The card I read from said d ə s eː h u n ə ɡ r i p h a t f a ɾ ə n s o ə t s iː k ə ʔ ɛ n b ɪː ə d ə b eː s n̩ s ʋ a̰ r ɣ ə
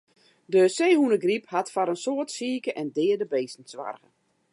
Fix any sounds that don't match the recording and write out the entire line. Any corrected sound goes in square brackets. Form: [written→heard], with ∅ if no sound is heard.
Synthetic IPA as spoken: d ə s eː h u n ə ɡ r i p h a t f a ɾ ə n s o ə t s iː k ə ʔ ɛ n [b→d] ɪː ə d ə b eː s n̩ s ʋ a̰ r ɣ ə